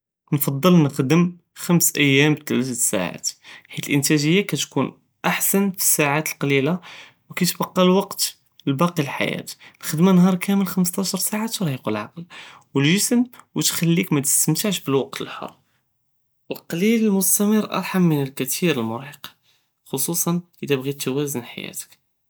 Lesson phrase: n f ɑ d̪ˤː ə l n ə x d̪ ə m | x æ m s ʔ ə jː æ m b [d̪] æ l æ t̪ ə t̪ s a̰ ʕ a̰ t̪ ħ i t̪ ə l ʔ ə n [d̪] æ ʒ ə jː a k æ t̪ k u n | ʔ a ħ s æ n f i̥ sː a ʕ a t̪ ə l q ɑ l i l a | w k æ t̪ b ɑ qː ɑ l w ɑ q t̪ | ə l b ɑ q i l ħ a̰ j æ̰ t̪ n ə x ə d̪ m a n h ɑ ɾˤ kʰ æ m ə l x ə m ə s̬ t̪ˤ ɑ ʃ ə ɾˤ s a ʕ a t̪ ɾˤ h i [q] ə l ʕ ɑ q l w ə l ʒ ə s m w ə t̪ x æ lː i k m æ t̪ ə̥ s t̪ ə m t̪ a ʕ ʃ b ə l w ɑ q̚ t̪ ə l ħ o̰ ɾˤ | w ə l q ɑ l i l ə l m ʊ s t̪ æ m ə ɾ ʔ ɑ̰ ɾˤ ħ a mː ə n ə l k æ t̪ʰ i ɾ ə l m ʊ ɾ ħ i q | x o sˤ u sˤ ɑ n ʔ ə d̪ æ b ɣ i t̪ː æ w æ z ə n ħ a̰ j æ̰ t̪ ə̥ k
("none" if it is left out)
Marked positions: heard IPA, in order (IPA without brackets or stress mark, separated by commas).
t̪, t̪, q